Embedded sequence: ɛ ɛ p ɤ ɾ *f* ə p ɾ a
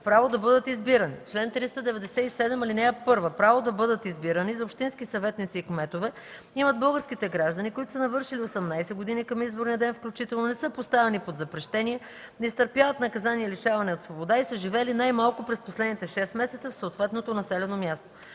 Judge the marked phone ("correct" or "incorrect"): incorrect